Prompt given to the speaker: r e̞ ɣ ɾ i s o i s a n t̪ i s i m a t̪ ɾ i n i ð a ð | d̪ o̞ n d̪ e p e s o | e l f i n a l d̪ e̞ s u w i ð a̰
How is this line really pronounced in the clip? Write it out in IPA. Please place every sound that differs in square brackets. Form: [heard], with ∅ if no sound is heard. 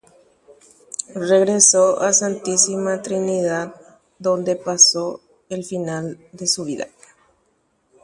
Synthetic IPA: r e̞ ɣ ɾ [e] s o [a] s a n t̪ i s i m a t̪ ɾ i n i ð a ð | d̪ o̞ n d̪ e p [a] s o | e l f i n a l d̪ e̞ s u [β] i ð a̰